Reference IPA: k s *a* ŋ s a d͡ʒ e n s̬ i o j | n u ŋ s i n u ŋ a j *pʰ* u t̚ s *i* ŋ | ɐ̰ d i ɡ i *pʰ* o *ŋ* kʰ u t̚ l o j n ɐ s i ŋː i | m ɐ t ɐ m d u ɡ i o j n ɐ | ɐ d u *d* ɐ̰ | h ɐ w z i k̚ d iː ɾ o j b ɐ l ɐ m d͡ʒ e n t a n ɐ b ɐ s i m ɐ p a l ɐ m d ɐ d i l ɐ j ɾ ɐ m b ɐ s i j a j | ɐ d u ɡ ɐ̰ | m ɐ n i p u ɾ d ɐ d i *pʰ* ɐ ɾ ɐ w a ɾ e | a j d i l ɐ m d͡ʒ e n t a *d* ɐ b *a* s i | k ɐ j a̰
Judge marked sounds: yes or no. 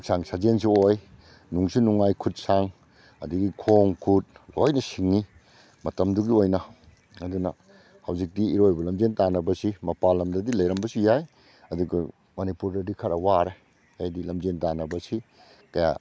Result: yes, no, no, no, yes, no, no, no, no

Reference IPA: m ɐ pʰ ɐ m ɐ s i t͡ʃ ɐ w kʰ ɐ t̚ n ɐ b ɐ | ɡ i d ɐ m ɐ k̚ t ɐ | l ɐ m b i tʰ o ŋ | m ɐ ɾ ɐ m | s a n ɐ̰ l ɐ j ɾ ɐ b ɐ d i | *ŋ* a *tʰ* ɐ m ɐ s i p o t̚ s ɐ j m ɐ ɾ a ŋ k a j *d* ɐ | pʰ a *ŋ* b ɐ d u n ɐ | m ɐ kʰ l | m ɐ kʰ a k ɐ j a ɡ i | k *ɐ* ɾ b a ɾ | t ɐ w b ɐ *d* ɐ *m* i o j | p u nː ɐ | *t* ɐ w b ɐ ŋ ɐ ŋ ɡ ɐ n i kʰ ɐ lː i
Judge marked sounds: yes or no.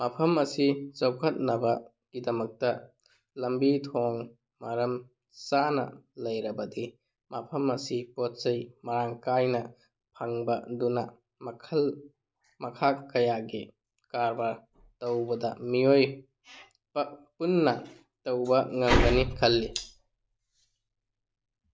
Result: no, no, no, yes, no, yes, yes, yes

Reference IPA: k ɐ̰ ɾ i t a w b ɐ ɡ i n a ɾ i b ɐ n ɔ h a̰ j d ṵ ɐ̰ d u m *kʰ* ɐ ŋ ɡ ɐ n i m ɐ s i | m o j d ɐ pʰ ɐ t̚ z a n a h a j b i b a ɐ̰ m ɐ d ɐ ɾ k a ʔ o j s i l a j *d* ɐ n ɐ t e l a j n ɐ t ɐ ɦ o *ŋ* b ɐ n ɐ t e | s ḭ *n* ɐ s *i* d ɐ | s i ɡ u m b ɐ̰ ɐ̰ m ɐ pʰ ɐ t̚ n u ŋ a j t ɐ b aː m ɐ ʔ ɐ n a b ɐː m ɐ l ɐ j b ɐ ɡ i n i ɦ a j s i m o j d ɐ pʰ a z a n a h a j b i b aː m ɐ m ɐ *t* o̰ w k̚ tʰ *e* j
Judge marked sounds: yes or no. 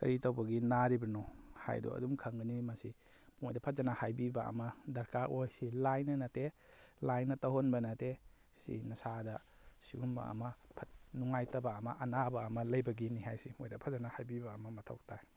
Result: yes, no, no, yes, no, no, no

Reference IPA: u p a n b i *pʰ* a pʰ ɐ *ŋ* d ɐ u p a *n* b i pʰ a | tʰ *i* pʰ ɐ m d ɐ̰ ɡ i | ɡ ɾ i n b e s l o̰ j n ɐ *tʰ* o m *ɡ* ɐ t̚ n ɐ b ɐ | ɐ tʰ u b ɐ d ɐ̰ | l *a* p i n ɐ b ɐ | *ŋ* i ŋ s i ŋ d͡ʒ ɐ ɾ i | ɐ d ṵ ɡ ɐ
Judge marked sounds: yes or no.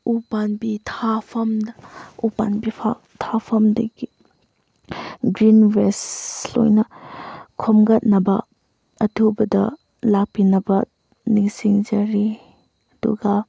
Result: no, no, yes, no, no, yes, yes, no

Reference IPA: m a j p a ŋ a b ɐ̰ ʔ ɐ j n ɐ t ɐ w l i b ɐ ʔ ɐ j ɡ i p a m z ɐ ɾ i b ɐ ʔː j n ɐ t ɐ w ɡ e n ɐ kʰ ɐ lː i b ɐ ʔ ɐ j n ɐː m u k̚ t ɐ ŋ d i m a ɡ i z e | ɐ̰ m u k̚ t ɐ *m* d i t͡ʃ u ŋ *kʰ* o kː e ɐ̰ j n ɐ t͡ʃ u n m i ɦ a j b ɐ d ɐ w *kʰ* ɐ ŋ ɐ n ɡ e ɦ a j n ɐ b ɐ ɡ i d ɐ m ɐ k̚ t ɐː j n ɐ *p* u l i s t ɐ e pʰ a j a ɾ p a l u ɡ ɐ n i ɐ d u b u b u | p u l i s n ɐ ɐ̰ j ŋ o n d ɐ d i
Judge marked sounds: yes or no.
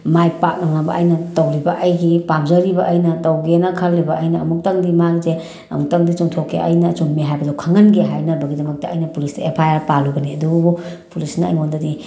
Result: no, no, yes, yes

